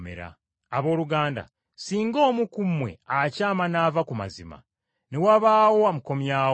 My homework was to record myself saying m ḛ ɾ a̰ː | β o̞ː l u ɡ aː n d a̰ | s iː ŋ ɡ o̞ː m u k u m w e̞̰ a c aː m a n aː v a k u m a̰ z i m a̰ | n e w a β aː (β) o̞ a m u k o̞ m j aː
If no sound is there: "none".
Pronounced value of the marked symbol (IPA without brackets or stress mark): w